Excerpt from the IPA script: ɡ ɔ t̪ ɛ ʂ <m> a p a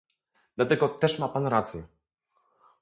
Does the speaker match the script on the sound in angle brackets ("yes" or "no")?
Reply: yes